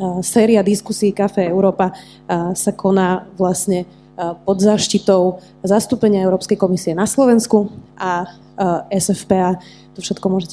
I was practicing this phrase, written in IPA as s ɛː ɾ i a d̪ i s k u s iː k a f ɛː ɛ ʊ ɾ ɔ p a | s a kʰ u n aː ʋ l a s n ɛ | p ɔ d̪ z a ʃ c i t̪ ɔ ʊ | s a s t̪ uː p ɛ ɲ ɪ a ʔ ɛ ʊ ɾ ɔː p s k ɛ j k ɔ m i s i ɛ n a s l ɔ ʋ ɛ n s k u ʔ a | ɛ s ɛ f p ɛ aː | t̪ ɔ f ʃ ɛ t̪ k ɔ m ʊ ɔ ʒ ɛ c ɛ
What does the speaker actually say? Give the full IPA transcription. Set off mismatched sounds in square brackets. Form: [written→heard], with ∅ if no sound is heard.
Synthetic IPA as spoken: s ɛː ɾ i a d̪ i s k u s iː k a f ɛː ɛ ʊ ɾ [ɔ→ɔː] p a | s a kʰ [u→ɔ] n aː ʋ l a s [n→ɲ] ɛ | p ɔ d̪ z a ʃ c i t̪ ɔ ʊ | [s→z] a s t̪ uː p ɛ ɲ ɪ a [ʔ→∅] ɛ ʊ ɾ ɔː p s k ɛ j k ɔ m i s i ɛ n a s l ɔ ʋ ɛ n s k u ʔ a | ɛ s ɛ f p ɛ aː | t̪ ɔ f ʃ ɛ t̪ k ɔ m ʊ ɔ ʒ ɛ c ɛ